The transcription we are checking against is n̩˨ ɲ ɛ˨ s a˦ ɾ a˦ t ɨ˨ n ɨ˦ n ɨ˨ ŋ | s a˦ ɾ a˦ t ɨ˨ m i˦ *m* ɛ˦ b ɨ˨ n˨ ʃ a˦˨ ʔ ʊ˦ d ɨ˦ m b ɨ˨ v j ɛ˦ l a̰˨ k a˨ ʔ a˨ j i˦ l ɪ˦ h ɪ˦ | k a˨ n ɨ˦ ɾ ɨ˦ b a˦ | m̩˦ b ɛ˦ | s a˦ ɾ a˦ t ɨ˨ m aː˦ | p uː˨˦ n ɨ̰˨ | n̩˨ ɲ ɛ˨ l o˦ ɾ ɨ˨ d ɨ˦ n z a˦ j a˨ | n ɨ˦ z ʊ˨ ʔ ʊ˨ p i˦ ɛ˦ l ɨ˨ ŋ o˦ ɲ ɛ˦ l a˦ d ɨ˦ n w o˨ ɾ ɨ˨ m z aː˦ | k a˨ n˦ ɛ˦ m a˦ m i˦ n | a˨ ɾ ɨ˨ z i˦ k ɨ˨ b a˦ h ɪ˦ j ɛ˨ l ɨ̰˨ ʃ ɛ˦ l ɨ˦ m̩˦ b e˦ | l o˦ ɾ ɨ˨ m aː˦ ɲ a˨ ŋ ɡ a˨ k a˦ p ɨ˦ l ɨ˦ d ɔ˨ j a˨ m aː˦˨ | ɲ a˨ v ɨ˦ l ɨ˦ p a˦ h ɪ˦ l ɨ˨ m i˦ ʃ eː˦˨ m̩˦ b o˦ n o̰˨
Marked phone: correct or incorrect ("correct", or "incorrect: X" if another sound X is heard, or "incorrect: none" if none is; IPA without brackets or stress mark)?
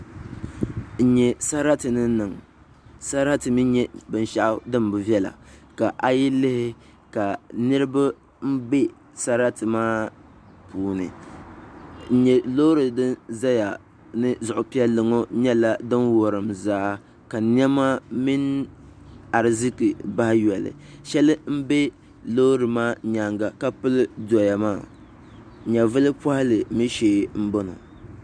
incorrect: ɲ